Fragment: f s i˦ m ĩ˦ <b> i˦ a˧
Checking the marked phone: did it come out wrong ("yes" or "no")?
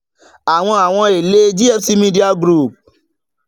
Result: yes